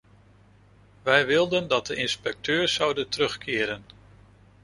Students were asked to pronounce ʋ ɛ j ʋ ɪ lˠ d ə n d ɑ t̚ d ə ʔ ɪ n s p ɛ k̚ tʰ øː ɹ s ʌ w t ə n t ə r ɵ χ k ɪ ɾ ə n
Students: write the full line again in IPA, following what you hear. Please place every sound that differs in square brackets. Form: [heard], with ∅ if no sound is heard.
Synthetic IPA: ʋ ɛ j ʋ ɪ lˠ d ə n d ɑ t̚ d ə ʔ ɪ n s p ɛ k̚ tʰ øː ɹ s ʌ w [d] ə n t ə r ɵ χ k [ɪː] ɾ ə n